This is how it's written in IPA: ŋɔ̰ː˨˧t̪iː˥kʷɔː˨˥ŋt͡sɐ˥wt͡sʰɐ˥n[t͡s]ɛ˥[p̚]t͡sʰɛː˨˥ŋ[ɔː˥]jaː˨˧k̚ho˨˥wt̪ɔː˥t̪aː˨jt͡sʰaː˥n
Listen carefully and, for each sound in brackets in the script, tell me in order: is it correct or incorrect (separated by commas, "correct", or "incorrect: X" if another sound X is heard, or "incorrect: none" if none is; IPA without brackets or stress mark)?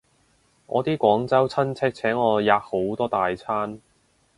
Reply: incorrect: t͡sʰ, incorrect: k̚, incorrect: ɔː˨˧